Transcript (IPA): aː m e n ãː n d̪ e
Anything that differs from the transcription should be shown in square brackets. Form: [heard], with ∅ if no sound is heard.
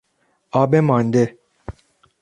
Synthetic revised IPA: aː [b] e [m] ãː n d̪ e